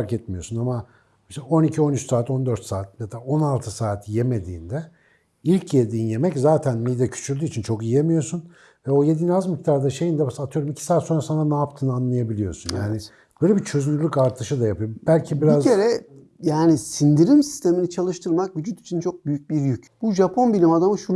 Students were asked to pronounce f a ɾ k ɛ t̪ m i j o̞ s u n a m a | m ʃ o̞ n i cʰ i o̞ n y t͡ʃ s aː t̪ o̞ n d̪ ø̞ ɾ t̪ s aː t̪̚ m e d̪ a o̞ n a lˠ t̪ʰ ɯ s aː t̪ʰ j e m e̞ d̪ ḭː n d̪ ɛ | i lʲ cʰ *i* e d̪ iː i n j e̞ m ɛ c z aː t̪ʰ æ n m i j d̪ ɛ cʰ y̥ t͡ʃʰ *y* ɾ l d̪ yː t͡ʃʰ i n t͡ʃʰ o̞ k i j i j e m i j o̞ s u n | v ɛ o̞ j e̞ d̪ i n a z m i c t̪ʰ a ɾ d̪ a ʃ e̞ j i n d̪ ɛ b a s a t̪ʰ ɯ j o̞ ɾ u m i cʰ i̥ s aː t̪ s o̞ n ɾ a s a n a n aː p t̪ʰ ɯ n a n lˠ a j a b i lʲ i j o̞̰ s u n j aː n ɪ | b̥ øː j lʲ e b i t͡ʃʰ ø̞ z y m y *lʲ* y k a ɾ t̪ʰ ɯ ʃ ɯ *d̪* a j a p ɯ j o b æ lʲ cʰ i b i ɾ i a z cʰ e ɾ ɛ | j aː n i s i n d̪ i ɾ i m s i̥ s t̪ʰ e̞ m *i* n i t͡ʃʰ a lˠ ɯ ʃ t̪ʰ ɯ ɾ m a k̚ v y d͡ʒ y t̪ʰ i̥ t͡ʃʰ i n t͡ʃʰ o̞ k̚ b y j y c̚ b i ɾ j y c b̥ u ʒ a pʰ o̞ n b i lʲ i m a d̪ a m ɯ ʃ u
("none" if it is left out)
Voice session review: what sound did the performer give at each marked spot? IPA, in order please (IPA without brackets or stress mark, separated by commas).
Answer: j, y, lʲ, d̪, i